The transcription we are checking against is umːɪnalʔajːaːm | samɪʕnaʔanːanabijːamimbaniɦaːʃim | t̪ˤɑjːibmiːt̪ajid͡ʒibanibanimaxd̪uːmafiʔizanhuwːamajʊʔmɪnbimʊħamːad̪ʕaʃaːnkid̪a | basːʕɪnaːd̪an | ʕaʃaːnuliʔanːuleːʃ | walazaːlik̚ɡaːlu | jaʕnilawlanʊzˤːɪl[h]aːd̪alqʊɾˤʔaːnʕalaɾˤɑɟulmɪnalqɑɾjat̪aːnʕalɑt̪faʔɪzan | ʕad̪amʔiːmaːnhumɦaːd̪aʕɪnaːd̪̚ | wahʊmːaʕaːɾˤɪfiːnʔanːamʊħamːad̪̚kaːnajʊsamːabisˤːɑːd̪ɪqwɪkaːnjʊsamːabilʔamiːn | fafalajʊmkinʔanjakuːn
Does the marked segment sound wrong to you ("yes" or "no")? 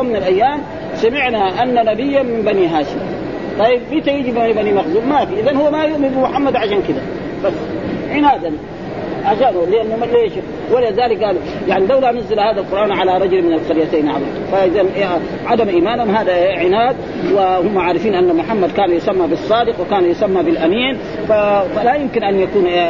no